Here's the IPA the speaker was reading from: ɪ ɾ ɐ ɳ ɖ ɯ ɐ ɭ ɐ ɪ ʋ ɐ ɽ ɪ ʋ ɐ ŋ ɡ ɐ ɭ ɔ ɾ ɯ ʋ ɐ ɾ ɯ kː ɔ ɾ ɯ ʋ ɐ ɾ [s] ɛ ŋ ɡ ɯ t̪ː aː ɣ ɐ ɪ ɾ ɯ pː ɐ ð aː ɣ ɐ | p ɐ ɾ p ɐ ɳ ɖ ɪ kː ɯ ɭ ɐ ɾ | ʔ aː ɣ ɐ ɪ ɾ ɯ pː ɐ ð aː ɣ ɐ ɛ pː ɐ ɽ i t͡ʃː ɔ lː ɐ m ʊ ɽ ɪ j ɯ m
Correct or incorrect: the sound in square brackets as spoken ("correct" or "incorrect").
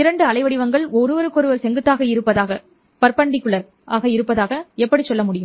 correct